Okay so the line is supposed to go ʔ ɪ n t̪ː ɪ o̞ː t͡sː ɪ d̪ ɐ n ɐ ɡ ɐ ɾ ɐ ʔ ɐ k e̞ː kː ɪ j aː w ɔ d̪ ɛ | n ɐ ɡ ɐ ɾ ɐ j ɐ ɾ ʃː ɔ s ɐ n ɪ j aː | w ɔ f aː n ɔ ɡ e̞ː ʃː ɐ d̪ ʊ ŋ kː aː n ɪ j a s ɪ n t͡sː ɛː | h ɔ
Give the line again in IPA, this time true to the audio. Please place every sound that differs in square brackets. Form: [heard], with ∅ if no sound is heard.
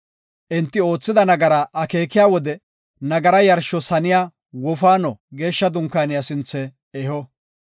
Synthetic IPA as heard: ʔ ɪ n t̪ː ɪ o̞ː t͡sː ɪ d̪ ɐ n ɐ ɡ ɐ ɾ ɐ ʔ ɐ k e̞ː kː ɪ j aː w ɔ d̪ ɛ | n ɐ ɡ ɐ ɾ ɐ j ɐ ɾ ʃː ɔ s ɐ n ɪ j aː | w ɔ f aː n ɔ ɡ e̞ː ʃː ɐ d̪ ʊ ŋ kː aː n ɪ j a s ɪ n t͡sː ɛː | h ɔ